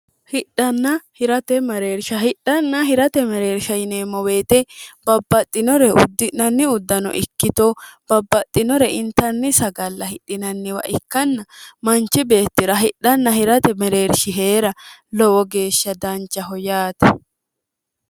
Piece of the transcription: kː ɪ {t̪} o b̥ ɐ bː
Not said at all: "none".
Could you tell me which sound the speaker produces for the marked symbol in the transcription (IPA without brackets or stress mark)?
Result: t̪